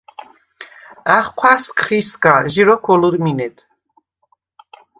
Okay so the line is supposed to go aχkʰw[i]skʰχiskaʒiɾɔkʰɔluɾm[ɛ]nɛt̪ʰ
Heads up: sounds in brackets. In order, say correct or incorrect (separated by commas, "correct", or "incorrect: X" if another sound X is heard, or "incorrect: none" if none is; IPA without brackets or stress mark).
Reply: incorrect: a, incorrect: i